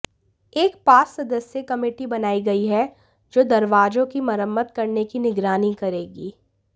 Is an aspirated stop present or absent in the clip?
absent